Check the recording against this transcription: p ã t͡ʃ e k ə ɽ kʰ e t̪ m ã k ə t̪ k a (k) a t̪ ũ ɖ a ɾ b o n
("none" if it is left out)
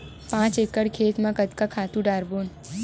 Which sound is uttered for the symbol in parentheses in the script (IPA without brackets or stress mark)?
kʰ